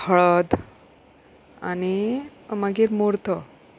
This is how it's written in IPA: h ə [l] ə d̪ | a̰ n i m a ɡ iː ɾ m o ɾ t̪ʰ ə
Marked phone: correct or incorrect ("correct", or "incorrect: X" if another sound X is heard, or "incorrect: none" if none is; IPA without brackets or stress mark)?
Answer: incorrect: ɭ